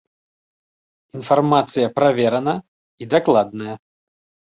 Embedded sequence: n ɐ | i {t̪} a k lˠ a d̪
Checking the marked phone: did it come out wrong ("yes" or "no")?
yes